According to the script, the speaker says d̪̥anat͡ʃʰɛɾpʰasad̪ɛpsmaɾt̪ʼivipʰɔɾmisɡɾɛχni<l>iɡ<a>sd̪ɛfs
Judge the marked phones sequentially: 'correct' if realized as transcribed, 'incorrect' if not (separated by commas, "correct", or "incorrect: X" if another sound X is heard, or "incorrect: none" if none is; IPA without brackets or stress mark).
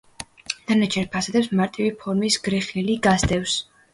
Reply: correct, correct